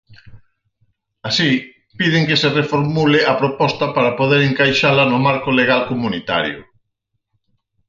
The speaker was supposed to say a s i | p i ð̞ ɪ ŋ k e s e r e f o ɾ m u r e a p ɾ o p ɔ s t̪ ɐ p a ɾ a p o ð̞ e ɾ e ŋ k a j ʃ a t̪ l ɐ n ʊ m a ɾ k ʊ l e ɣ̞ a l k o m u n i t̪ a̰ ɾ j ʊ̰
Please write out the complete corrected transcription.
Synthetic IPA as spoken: a s i | p i ð̞ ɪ ŋ k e s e r e f o ɾ m u l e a p ɾ o p ɔ s t̪ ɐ p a ɾ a p o ð̞ e ɾ e ŋ k a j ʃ a l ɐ n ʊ m a ɾ k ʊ l e ɣ̞ a l k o m u n i t̪ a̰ ɾ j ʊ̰